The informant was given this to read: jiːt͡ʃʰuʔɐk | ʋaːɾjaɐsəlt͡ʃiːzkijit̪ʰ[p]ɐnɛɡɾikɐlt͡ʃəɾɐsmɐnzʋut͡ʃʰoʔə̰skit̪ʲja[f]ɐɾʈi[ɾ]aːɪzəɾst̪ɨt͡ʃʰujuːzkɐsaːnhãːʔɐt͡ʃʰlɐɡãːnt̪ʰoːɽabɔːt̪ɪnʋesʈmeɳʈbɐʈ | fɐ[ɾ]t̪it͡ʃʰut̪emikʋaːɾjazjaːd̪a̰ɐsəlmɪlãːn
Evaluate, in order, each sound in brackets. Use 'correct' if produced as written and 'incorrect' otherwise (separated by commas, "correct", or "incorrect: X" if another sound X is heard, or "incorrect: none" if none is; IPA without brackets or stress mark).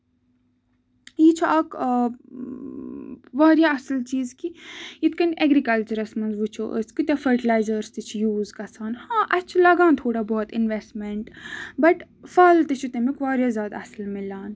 incorrect: k, correct, incorrect: l, incorrect: l